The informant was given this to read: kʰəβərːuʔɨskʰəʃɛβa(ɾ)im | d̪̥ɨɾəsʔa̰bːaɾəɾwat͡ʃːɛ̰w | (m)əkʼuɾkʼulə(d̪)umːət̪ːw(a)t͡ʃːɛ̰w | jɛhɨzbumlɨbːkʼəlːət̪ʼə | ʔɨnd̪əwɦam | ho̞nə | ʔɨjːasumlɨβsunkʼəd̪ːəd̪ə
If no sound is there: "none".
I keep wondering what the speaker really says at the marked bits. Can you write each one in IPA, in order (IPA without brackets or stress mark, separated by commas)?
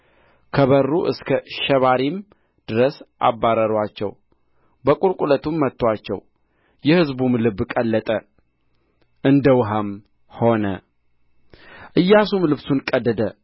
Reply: ɾ, b, t̪, a